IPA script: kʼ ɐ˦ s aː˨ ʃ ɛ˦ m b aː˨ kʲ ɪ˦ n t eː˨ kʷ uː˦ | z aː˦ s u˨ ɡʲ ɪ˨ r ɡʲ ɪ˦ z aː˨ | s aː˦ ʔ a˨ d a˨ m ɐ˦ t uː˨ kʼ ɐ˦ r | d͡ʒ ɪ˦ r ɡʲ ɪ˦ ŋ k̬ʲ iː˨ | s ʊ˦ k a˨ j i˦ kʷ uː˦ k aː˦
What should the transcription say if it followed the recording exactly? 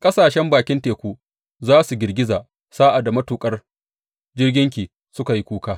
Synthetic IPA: kʼ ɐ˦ s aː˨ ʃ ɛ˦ m b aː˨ kʲ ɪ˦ n t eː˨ kʷ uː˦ | z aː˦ s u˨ ɡʲ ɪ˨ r ɡʲ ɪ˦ z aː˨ | s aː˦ ʔ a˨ d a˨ m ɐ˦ t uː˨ kʼ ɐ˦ r | d͡ʒ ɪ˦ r ɡʲ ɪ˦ ŋ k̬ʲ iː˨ | s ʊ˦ k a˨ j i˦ kʷ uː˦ k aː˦